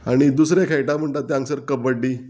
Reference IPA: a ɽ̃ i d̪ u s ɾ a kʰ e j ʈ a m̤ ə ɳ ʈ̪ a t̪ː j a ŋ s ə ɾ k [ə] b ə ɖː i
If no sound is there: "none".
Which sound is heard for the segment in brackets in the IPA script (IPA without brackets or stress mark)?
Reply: ə